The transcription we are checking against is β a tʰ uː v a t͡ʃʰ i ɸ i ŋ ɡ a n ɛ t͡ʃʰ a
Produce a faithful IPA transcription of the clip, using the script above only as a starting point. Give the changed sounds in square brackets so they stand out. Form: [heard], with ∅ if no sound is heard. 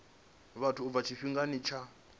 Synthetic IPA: β a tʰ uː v a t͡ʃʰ i ɸ i ŋ ɡ a n [i] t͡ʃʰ a